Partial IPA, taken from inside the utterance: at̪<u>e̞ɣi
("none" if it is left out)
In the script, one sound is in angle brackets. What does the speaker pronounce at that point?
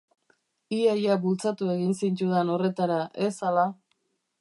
u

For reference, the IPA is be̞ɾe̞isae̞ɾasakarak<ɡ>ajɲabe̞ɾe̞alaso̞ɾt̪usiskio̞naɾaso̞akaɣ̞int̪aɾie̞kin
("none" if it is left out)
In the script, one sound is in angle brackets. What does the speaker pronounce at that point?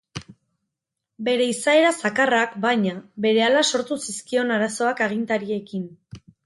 b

